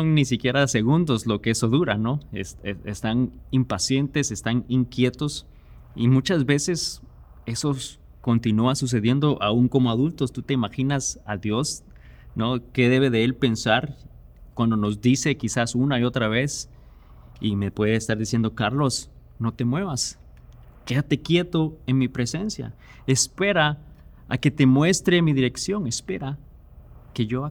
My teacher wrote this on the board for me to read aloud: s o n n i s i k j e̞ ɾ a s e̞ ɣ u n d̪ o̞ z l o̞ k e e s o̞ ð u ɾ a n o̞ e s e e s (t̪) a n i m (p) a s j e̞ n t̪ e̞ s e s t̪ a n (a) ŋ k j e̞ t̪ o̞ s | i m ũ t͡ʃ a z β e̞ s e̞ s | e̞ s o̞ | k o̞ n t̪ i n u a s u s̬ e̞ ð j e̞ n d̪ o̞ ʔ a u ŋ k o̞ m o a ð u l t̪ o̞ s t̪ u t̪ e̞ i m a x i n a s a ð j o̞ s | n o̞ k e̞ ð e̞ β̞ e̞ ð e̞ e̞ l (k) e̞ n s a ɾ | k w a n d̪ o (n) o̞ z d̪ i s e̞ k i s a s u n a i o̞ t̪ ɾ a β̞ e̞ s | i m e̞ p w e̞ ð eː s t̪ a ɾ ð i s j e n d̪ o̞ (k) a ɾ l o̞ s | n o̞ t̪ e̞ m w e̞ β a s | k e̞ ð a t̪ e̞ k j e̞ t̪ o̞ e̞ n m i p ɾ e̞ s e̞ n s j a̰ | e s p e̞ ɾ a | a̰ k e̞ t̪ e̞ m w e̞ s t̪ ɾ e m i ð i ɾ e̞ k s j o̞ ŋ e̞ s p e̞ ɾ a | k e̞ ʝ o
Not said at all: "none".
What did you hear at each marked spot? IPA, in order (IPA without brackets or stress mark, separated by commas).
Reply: t̪, p, i, p, n, k